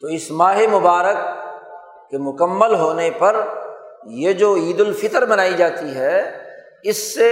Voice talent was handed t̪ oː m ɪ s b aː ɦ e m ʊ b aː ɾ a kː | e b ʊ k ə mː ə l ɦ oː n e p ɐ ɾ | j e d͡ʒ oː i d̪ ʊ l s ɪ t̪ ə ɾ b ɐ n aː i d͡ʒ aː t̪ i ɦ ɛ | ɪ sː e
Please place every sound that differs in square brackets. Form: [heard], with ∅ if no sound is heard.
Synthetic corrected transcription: t̪ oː [∅] ɪ s [m] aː ɦ e m ʊ b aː ɾ [ə] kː | e [m] ʊ k ə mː ə l ɦ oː n e p ɐ ɾ | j e d͡ʒ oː [iː] d̪ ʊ l [f] ɪ t̪ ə ɾ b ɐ n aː i d͡ʒ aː t̪ i ɦ ɛ | ɪ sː e